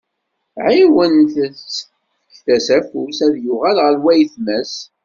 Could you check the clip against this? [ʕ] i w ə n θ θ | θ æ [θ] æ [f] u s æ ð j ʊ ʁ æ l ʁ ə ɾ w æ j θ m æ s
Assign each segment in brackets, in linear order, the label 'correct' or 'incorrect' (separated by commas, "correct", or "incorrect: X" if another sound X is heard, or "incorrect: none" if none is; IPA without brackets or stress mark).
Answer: correct, incorrect: s, correct